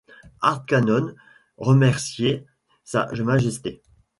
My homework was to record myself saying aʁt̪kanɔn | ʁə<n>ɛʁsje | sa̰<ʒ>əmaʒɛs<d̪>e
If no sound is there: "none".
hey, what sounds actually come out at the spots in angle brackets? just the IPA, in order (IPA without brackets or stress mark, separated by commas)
m, ʒ, t̪